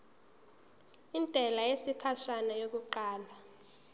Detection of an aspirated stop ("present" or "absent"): present